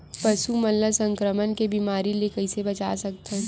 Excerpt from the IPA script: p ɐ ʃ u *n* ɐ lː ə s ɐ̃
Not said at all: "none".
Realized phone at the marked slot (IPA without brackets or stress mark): m